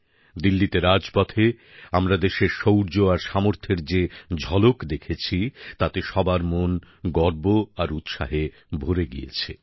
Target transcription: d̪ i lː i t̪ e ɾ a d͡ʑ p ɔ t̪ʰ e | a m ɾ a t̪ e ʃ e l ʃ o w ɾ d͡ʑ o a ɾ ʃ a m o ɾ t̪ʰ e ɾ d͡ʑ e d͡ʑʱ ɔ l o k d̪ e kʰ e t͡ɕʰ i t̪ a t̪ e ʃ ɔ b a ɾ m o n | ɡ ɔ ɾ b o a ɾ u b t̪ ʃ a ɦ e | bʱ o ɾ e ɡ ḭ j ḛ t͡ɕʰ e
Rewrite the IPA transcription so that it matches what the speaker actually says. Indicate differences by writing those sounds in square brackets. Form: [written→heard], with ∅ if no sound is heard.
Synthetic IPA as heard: d̪ i lː i t̪ e ɾ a d͡ʑ p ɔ t̪ʰ e | a m ɾ a [t̪→d̪] e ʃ e [l→ɾ] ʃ o w ɾ d͡ʑ o a ɾ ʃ a m o ɾ t̪ʰ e ɾ d͡ʑ e d͡ʑʱ ɔ l o k d̪ e kʰ e t͡ɕʰ i t̪ a t̪ e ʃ ɔ b a ɾ m o n | ɡ ɔ ɾ b o a ɾ u [b→∅] t̪ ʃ a ɦ e | bʱ o ɾ e ɡ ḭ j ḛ t͡ɕʰ e